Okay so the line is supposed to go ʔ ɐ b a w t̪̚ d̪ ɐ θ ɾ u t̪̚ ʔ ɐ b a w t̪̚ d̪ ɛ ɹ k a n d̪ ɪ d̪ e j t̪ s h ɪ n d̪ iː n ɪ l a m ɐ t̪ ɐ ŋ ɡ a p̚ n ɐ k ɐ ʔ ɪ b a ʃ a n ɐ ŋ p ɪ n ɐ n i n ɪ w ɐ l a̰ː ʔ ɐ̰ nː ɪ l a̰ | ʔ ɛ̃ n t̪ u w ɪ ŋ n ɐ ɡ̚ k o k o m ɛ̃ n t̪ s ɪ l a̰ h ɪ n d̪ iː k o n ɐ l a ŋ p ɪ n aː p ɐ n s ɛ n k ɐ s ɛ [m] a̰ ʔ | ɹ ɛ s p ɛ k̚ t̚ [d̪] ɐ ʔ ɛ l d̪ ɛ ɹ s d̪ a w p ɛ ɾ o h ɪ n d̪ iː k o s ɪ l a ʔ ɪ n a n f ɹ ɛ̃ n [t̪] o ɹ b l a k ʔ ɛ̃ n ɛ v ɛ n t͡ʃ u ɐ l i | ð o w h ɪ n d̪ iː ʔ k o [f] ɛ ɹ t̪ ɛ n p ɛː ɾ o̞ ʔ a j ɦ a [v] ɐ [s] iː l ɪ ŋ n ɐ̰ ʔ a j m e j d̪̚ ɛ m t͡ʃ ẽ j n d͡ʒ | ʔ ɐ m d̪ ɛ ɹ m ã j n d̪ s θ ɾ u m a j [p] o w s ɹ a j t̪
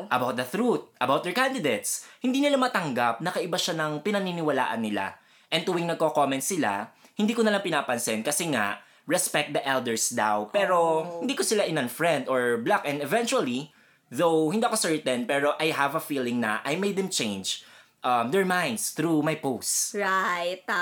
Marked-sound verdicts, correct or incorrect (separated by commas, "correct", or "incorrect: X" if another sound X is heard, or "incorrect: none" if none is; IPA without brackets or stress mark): incorrect: ŋ, correct, incorrect: d̪, incorrect: s, correct, incorrect: f, correct